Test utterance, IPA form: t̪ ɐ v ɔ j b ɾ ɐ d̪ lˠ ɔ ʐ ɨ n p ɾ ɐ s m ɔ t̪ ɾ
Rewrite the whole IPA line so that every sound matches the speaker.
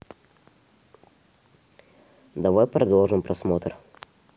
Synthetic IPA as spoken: d̪ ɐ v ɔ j p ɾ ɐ d̪ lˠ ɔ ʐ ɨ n p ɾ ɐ s m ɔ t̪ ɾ